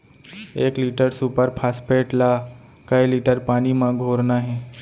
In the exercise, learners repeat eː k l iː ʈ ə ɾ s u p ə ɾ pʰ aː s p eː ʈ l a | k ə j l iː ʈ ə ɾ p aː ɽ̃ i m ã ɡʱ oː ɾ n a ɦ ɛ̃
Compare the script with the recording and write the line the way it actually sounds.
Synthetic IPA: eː k l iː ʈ ə ɾ s u p ə ɾ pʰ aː s p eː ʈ l a | k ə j l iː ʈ ə ɾ p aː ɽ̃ i m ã ɡʱ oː ɾ n a ɦ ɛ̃